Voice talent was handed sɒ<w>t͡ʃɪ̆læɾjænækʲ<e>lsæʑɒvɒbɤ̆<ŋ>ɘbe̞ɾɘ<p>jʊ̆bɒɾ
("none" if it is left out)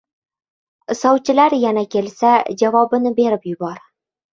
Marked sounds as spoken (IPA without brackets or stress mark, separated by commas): w, e, n, p